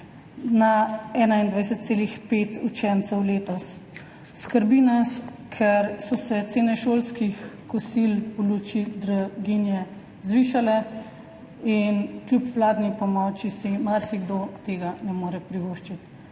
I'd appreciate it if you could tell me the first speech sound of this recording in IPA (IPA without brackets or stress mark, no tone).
n